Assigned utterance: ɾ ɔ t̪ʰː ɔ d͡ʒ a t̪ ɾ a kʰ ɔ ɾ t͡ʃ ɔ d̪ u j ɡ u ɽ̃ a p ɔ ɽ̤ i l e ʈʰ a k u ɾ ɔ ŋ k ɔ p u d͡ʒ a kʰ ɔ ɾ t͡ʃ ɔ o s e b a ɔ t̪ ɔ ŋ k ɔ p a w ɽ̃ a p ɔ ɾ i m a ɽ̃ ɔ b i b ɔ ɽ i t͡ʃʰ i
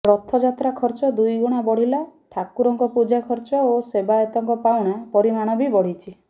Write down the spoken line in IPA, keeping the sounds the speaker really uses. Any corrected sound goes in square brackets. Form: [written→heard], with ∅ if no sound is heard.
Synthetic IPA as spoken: ɾ ɔ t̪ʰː ɔ d͡ʒ a t̪ ɾ a kʰ ɔ ɾ t͡ʃ ɔ d̪ u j ɡ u ɽ̃ a [p→b] ɔ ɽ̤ i l [e→a] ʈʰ a k u ɾ ɔ ŋ k ɔ p u d͡ʒ a kʰ ɔ ɾ t͡ʃ ɔ o s e b a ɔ t̪ ɔ ŋ k ɔ p a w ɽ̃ a p ɔ ɾ i m a ɽ̃ ɔ b i b ɔ ɽ i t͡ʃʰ i